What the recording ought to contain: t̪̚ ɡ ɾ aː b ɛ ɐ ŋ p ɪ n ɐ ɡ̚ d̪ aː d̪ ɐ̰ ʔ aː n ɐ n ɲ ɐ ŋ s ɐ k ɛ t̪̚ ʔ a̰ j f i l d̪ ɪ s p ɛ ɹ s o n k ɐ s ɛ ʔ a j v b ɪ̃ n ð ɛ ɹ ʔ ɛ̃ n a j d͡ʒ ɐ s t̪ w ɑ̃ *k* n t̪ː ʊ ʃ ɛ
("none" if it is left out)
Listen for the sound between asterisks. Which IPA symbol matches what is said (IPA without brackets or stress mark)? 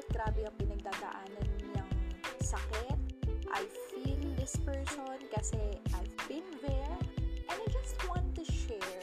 none